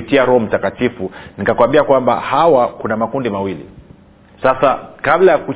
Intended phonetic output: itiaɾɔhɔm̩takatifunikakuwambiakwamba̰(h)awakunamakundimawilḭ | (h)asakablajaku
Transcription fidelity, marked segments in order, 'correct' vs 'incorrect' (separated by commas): correct, incorrect